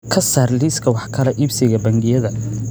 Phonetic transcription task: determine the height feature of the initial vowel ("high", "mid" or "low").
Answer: low